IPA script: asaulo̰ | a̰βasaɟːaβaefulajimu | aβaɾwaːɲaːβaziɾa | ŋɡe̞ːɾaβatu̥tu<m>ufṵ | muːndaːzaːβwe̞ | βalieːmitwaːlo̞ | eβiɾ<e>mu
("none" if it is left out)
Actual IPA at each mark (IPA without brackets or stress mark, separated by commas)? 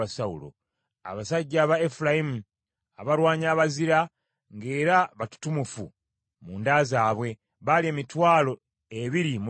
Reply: m, i